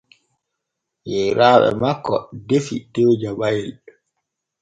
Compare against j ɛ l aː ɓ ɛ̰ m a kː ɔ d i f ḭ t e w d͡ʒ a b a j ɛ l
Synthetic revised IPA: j ɛ ɾ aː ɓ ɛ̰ m a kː ɔ d e f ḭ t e w d͡ʒ a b a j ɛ l